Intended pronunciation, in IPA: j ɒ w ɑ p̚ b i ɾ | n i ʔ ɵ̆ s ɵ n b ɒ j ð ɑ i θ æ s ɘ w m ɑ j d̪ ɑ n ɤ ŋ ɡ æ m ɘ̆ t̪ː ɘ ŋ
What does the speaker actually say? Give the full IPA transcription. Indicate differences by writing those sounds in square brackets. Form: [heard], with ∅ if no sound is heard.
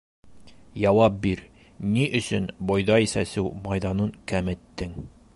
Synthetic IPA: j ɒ w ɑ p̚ b i ɾ | n i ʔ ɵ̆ s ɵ n b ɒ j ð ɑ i [s] æ s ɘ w m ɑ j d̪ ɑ n ɤ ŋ [k] æ m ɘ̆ t̪ː ɘ ŋ